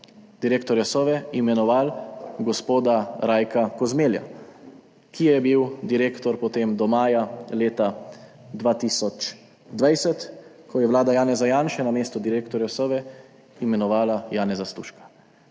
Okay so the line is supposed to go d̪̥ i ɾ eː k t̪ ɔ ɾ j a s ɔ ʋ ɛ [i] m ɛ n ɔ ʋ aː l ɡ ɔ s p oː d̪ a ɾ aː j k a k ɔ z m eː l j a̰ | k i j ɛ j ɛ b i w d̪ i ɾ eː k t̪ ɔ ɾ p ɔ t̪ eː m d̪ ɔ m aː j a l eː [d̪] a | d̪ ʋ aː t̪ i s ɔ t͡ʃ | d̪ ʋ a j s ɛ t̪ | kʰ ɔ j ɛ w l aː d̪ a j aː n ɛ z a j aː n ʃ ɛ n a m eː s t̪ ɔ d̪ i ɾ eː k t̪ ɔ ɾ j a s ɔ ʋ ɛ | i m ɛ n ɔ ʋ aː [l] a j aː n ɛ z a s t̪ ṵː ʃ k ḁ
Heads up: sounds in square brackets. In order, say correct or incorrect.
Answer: correct, incorrect: t̪, correct

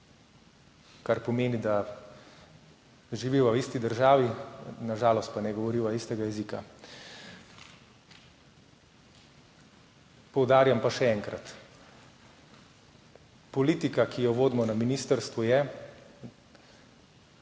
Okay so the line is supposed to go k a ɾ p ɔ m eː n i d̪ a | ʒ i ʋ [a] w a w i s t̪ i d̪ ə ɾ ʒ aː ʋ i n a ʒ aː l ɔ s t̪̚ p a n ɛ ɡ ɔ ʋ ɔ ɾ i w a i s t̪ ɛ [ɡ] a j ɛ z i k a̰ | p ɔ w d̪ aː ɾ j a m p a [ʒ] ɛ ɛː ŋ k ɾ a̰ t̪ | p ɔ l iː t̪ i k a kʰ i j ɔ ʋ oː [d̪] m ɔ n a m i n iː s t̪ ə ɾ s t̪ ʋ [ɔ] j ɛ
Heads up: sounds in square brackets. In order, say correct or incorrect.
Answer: incorrect: i, correct, incorrect: ʃ, correct, incorrect: u

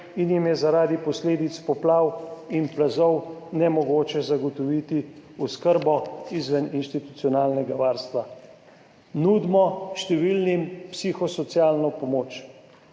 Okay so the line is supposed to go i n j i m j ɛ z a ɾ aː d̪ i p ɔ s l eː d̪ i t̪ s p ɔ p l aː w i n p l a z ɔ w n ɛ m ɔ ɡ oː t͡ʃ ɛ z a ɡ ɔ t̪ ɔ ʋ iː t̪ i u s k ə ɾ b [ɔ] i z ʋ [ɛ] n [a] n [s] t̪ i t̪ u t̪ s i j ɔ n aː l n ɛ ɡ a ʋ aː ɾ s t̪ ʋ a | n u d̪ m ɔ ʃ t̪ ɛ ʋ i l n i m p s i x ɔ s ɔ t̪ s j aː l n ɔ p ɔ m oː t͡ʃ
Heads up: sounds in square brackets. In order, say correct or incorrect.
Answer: correct, correct, incorrect: i, incorrect: ʃ

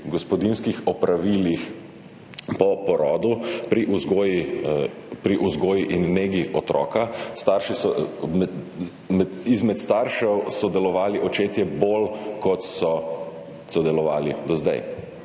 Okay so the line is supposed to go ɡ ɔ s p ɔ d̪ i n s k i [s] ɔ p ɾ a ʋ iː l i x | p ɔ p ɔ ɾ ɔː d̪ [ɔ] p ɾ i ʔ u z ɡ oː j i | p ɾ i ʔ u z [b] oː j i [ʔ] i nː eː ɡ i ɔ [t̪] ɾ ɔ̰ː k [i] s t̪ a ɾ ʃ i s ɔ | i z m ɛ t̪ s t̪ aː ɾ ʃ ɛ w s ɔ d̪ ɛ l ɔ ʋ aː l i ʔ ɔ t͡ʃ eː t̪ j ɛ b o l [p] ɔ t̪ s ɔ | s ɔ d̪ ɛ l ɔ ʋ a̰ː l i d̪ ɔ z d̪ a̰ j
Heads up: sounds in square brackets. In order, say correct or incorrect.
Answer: incorrect: x, incorrect: u, incorrect: ɡ, correct, correct, incorrect: a, incorrect: k

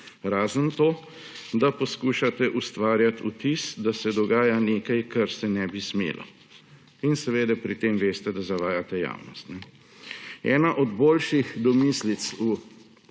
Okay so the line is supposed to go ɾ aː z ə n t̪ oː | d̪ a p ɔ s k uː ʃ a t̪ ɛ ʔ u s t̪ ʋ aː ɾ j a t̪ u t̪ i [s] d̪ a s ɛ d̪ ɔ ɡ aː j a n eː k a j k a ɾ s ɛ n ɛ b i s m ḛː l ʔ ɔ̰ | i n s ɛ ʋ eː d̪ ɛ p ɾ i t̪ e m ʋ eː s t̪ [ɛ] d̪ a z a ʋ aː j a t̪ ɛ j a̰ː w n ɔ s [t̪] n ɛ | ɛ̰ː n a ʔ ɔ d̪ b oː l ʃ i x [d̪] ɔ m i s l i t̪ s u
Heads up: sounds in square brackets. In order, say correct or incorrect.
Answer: correct, correct, correct, correct

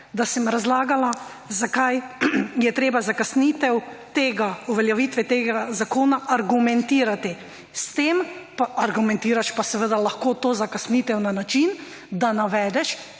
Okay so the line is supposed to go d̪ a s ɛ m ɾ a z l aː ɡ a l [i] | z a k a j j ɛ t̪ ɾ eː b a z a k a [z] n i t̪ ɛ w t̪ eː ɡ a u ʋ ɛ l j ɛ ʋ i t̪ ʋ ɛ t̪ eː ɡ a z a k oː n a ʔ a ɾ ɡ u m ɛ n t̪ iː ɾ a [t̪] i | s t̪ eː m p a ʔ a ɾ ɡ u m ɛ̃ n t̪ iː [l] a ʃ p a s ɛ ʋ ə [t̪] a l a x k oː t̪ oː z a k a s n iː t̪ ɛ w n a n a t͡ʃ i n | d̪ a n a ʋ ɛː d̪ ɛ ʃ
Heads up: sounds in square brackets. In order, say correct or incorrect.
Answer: incorrect: a, incorrect: s, correct, incorrect: ɾ, incorrect: d̪

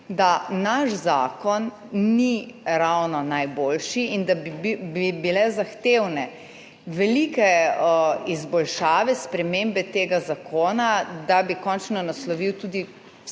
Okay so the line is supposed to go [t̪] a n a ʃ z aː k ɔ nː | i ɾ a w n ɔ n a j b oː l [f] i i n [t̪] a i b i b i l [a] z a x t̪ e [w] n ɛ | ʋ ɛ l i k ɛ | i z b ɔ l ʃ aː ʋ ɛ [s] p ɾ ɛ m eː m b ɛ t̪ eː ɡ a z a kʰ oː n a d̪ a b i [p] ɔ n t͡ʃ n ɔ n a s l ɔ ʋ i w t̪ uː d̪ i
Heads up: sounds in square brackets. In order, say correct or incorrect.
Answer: incorrect: d̪, incorrect: ʃ, incorrect: d̪, incorrect: ɛ, correct, correct, incorrect: k

